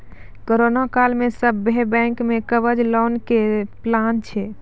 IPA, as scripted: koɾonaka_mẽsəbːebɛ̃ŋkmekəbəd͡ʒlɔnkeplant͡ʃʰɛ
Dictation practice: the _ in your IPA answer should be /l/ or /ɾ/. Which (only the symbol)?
l